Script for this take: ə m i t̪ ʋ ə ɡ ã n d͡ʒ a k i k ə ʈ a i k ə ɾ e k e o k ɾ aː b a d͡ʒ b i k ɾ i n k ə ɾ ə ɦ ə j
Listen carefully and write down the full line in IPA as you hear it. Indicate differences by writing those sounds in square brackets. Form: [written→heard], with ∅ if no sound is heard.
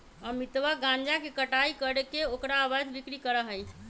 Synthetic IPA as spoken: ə m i t̪ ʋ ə ɡ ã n d͡ʒ a k [i→e] k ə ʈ a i k ə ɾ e k e o k ɾ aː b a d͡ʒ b i k ɾ i [n→∅] k ə ɾ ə ɦ ə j